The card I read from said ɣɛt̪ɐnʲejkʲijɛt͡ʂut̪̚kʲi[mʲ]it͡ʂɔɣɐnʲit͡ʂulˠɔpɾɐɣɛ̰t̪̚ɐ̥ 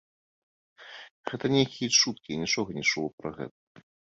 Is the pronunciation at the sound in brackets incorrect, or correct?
incorrect